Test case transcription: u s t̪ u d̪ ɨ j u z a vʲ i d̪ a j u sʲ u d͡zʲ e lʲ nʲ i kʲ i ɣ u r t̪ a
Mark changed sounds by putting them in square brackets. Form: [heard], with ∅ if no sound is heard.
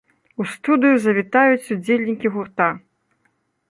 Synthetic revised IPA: u s t̪ u d̪ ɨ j u z [ɐ] vʲ i [t̪] a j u [t͡sʲ] u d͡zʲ e lʲ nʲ i kʲ i ɣ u r t̪ a